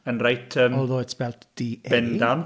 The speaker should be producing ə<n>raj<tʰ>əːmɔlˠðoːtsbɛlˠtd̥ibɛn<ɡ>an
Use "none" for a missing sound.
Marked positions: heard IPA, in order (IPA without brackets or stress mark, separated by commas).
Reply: n, tʰ, d